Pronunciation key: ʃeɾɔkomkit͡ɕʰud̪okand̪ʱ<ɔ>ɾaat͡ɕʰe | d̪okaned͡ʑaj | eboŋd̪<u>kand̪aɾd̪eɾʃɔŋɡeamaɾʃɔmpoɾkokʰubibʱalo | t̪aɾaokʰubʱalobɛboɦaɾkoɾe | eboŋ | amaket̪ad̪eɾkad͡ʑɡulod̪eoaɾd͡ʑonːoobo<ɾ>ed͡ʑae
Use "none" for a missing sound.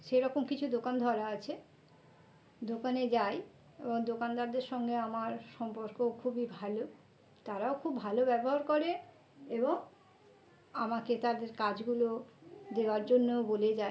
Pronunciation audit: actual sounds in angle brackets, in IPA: ɔ, o, l

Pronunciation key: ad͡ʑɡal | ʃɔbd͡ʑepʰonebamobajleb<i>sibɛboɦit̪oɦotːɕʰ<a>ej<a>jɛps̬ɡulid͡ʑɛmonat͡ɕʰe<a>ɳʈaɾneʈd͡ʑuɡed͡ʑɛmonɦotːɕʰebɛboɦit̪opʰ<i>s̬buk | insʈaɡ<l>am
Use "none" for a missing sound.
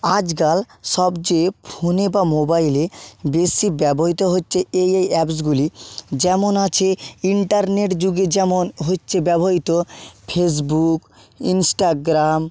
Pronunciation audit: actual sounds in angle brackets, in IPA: e, e, e, i, e, ɾ

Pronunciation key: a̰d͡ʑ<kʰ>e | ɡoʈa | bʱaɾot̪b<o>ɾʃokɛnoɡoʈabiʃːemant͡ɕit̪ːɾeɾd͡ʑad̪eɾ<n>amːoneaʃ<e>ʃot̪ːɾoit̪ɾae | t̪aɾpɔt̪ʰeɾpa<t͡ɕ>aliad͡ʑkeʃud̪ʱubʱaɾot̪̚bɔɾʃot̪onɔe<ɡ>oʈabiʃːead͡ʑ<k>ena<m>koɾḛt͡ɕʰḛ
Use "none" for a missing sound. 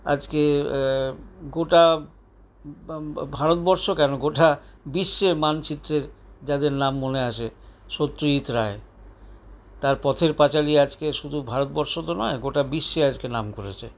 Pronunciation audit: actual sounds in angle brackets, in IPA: k, ɔ, n, e, t͡ɕ, ɡ, k, m

